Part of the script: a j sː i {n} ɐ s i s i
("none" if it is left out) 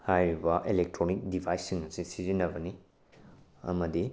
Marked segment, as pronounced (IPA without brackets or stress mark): ŋ